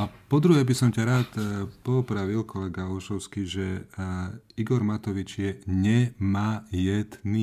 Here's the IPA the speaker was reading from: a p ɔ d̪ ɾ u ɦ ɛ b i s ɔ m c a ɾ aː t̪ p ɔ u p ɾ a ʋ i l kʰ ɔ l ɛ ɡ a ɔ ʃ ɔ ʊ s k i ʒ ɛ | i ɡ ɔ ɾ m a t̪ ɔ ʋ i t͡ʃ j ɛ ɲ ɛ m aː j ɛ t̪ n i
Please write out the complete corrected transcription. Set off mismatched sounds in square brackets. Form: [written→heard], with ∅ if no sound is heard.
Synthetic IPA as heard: a p ɔ d̪ ɾ u ɦ ɛ b i s ɔ m c a ɾ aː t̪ p ɔ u p ɾ a ʋ i l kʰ ɔ l ɛ ɡ a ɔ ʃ ɔ ʊ s k i ʒ ɛ | i ɡ ɔ ɾ m a t̪ ɔ ʋ i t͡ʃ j ɛ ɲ ɛ m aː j ɛ [t̪→d̪] n i